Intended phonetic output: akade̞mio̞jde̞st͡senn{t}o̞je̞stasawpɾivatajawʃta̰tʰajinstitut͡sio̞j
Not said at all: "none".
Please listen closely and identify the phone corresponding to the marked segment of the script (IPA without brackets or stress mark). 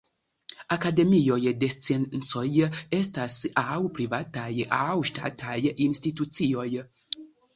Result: t͡s